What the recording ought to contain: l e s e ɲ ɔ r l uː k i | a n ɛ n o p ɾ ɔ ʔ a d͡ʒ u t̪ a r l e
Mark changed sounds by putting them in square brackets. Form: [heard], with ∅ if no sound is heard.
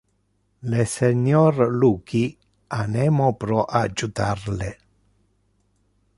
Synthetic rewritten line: l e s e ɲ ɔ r l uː k i | a n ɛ [m] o p ɾ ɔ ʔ a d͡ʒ u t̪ a r l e

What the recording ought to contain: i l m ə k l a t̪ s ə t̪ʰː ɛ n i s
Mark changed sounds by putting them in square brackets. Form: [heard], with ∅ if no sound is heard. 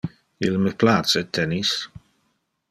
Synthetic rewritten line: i l m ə [p] l a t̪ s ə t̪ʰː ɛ n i s

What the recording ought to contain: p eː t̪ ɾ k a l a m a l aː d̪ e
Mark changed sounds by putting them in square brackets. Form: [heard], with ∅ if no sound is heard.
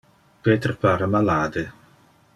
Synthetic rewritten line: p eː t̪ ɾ [p] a [ɾ] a m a l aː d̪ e

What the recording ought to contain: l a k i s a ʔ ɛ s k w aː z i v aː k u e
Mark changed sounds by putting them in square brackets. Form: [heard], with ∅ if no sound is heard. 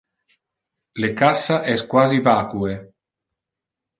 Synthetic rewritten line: l [e] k [a] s a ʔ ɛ s k w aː z i v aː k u e

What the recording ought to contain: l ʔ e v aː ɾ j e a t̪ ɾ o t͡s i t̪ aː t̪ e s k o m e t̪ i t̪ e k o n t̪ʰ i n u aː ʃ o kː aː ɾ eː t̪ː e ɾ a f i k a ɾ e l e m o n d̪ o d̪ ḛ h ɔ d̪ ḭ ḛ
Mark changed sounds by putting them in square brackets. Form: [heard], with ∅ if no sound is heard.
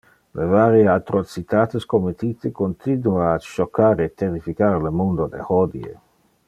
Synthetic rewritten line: l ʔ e v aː ɾ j e a t̪ ɾ o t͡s i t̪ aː t̪ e s k o m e t̪ i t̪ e k o n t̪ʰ i n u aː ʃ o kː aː ɾ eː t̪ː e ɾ [i] f i k a ɾ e l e m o n d̪ o d̪ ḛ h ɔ d̪ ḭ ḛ

